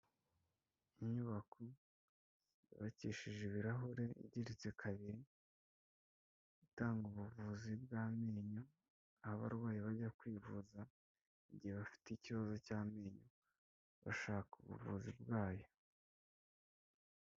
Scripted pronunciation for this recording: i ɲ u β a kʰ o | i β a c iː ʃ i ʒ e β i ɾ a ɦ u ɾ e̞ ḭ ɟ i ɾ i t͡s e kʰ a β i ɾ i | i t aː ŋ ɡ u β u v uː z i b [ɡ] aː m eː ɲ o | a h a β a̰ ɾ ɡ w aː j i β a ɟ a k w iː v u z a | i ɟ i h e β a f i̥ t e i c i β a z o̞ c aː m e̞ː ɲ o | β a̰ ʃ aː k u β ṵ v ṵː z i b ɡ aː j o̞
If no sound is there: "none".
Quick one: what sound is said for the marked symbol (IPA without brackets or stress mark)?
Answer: ɡ